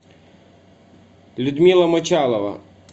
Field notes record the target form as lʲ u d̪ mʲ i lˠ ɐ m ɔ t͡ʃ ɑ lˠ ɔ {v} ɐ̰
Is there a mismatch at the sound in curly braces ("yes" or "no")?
yes